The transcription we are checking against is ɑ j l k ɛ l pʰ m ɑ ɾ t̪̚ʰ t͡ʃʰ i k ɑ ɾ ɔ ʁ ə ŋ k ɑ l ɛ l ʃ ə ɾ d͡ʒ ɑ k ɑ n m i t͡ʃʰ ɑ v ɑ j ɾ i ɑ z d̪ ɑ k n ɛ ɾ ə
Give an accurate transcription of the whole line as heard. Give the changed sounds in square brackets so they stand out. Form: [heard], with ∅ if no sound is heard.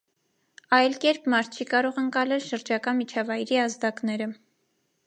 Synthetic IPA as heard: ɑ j l k ɛ [ɾ] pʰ m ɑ ɾ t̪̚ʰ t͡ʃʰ i k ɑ ɾ ɔ ʁ ə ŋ k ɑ l ɛ l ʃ ə ɾ d͡ʒ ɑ k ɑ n m i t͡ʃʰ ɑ v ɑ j ɾ i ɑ z d̪ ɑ k n ɛ ɾ ə